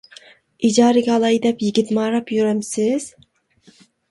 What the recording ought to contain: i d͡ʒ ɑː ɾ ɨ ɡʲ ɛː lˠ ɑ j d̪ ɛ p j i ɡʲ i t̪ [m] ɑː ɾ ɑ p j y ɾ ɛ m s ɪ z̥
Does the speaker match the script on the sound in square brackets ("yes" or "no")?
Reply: yes